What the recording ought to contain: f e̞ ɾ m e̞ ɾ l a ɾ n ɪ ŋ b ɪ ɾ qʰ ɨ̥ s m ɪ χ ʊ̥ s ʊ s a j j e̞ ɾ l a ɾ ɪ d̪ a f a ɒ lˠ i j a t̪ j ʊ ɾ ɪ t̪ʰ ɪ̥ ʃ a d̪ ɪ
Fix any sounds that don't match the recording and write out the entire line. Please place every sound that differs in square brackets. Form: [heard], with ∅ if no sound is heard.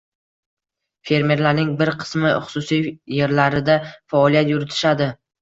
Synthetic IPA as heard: f e̞ ɾ m e̞ ɾ l a ɾ n ɪ ŋ b ɪ ɾ qʰ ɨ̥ s m ɪ χ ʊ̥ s ʊ s [i] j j e̞ ɾ l a ɾ ɪ d̪ a f a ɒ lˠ i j a t̪ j ʊ ɾ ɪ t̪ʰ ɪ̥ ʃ a d̪ ɪ